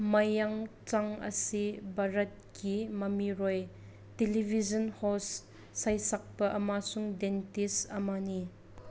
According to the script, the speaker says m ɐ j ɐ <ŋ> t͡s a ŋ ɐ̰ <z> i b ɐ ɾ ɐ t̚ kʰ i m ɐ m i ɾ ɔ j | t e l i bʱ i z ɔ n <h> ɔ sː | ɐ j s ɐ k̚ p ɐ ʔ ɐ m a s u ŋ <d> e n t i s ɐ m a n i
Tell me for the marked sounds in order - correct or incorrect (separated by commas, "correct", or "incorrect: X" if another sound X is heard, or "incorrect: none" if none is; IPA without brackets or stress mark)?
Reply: correct, incorrect: s, correct, correct